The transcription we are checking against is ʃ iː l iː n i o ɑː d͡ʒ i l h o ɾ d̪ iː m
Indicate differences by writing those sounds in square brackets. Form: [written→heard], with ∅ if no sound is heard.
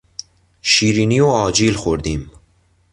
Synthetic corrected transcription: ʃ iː [l→ɾ] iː n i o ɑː d͡ʒ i l [h→x] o ɾ d̪ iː m